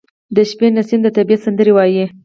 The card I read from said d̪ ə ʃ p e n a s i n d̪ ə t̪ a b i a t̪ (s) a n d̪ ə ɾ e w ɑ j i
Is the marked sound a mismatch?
no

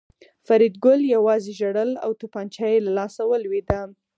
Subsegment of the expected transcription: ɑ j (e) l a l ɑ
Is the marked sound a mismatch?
no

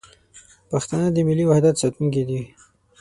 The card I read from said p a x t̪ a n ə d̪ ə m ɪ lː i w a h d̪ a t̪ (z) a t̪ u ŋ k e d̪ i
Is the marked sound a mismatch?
yes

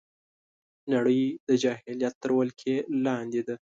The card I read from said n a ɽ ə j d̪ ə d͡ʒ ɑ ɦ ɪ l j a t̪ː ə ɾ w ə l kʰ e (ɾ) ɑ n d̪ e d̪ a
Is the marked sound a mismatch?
yes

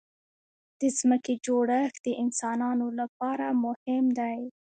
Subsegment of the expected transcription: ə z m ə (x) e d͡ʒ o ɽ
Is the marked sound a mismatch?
yes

